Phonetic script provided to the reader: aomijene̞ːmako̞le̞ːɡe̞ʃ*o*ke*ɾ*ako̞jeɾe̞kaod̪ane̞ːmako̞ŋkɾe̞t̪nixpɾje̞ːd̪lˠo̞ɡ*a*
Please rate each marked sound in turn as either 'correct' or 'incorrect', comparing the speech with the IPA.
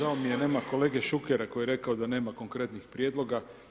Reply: incorrect: u, correct, correct

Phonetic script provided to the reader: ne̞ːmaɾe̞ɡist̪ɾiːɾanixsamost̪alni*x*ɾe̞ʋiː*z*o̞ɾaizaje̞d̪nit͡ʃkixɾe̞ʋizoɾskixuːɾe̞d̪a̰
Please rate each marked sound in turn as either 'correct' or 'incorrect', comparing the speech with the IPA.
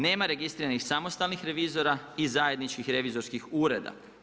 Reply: correct, correct

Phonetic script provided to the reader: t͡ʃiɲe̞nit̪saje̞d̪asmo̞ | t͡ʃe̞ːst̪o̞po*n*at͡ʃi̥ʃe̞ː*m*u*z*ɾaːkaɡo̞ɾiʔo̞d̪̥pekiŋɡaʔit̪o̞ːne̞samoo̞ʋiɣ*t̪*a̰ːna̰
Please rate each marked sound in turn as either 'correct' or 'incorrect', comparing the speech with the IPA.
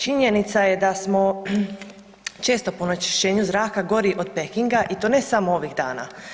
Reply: correct, incorrect: ɲ, correct, incorrect: d̪

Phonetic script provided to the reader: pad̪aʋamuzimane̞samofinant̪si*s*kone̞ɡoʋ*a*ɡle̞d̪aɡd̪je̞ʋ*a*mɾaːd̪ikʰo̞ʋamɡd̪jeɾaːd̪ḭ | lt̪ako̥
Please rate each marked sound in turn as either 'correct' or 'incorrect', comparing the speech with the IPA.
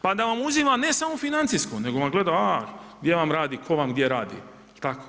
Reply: correct, correct, correct

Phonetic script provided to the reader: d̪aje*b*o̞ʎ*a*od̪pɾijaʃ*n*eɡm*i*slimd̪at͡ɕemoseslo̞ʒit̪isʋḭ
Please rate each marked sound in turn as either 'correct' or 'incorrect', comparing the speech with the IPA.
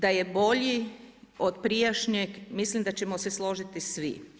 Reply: correct, incorrect: i, incorrect: ɲ, correct

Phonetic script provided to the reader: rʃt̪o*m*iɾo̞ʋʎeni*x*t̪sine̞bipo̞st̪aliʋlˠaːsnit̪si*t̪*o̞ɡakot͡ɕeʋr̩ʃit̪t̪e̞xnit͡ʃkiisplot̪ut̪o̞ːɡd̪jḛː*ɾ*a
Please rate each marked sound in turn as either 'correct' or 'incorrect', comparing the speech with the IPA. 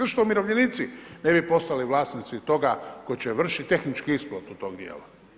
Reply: correct, incorrect: none, correct, incorrect: l

